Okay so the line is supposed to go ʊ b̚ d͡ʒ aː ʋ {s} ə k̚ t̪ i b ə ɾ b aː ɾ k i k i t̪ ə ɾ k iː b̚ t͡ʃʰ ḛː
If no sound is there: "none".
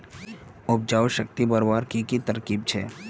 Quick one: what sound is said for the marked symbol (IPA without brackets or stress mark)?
ʃ